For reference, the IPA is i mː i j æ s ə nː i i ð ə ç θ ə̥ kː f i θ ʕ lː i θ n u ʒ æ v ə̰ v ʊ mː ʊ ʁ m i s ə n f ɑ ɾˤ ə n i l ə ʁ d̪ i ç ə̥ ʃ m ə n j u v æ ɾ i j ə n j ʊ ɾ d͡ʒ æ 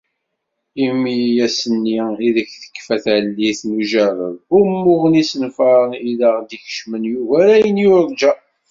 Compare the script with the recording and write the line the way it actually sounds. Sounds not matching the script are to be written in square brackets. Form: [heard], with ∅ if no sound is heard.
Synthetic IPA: i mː i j æ s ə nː i i ð ə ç θ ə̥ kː f [æ] θ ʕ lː i θ n u ʒ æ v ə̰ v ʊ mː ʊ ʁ [n] i s ə n f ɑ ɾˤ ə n i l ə ʁ d̪ i ç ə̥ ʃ m ə n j u v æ ɾ [æ] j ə n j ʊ ɾ d͡ʒ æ